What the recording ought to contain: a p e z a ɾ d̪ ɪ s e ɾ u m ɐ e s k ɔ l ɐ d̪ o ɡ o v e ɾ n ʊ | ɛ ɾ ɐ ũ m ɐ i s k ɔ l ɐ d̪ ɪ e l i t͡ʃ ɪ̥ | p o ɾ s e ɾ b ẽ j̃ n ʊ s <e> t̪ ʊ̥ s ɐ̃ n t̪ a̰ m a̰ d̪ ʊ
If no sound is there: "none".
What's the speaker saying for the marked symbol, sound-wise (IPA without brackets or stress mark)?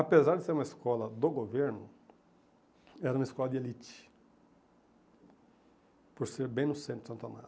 ẽ